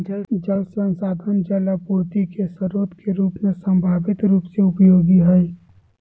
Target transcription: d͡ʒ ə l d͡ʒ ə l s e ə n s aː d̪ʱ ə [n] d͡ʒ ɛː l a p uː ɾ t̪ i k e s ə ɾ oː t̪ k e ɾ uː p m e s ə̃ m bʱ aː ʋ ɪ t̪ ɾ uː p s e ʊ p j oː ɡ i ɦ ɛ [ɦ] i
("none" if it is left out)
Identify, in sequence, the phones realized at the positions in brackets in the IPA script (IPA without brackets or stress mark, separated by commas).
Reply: n, none